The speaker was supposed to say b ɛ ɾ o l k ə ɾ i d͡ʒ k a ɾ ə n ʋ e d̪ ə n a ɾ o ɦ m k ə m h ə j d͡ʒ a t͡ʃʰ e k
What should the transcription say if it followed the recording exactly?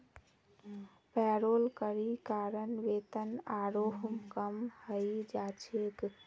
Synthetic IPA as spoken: p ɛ ɾ o l k ə ɾ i k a ɾ ə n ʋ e t̪ ə n a ɾ o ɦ m k ə m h ə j d͡ʒ a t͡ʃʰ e k